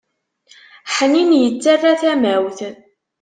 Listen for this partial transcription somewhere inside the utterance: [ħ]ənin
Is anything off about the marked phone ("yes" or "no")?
no